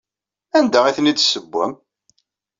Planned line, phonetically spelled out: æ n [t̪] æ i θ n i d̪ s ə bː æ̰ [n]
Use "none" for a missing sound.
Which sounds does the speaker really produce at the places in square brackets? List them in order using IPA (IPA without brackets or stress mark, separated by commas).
d̪, m